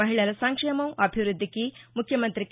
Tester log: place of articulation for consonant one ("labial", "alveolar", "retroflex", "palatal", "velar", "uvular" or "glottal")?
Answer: glottal